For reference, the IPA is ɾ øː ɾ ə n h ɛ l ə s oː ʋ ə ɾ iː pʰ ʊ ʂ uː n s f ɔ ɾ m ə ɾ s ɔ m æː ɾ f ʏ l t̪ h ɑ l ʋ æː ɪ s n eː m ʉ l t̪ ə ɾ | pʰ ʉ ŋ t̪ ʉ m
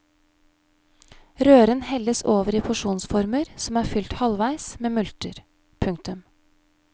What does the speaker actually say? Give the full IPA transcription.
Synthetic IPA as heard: ɾ øː ɾ ə n h ɛ l ə s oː ʋ ə ɾ iː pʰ ʊ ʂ uː n s f ɔ ɾ m ə ɾ s ɔ m æː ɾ f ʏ l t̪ h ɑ l ʋ æ ɪ s m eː m ʉ l t̪ ə ɾ | pʰ ʉ ŋ t̪ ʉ m